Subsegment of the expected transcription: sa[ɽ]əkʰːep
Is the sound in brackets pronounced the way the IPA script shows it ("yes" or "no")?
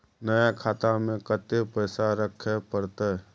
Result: no